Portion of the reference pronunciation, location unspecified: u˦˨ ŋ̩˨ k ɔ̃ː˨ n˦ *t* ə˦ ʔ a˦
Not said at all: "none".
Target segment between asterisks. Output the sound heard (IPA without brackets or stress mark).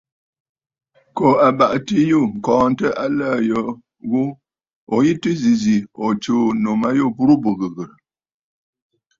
t